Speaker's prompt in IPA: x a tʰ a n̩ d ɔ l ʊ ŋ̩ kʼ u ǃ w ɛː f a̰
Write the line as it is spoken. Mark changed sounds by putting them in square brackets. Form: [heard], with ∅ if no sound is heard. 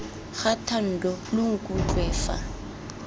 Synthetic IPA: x a tʰ a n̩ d ɔ l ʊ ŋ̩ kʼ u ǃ w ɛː f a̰